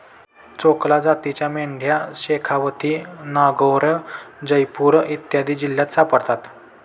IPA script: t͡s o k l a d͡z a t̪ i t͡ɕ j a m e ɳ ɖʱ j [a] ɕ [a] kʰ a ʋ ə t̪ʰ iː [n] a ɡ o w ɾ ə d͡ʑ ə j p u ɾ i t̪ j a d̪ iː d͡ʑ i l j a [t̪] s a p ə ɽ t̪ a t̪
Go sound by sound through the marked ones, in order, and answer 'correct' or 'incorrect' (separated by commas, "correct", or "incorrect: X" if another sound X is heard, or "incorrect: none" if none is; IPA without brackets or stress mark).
correct, incorrect: e, correct, correct